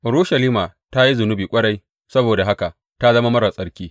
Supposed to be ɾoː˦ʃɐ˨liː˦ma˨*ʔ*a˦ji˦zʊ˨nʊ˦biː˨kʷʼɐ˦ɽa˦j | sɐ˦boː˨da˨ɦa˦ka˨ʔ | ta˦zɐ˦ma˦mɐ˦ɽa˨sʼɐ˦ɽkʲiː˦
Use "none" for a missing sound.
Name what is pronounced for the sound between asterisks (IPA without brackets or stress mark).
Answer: t